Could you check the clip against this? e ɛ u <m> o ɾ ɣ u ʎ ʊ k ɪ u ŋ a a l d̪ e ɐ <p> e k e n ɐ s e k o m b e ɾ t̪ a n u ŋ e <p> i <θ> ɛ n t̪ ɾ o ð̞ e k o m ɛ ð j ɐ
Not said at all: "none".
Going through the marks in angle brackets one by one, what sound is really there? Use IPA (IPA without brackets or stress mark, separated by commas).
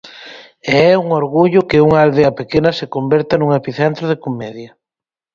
ŋ, p, p, θ